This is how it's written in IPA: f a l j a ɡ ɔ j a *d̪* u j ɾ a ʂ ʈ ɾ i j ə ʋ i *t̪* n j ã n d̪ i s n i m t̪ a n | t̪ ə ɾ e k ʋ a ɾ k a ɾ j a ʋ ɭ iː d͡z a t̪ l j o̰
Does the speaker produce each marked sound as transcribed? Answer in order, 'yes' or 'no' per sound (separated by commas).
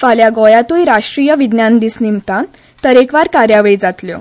no, no